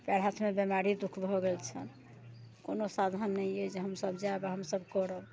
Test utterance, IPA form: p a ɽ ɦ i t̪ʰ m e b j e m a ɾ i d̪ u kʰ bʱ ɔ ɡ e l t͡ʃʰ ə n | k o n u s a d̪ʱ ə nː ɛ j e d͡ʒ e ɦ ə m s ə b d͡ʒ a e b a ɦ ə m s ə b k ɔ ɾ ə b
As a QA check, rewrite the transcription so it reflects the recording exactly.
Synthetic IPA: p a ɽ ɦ a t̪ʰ m e b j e m a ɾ i d̪ u kʰ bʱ ɔ ɡ e l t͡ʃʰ ə n | k o n o s a d̪ʱ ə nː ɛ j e d͡ʒ e ɦ ə m s ə b d͡ʒ a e b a ɦ ə m s ə b k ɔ ɾ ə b